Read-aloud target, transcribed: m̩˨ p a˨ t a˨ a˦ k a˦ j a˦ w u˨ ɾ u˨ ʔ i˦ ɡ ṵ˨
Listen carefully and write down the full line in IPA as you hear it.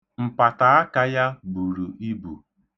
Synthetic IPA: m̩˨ p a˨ t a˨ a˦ k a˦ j a˦ b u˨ ɾ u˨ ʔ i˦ b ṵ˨